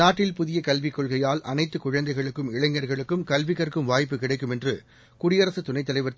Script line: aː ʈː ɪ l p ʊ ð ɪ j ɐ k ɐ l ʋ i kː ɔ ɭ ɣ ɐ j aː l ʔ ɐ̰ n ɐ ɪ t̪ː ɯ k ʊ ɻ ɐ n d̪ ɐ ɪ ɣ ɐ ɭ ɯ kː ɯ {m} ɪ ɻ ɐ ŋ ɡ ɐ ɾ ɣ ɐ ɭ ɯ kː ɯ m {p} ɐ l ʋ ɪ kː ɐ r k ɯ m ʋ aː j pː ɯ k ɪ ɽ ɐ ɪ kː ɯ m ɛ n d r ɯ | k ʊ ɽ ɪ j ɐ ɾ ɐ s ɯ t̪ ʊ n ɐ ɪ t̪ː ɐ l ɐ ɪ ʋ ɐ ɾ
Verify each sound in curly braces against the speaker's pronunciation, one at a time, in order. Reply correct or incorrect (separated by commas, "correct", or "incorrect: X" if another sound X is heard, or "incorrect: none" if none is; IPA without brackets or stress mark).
correct, incorrect: k